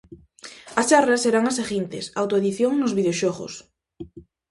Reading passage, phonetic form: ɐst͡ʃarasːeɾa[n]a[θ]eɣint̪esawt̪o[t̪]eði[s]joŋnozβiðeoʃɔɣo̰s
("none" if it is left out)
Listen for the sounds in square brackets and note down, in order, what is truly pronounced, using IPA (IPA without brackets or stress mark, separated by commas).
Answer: ŋ, s, none, θ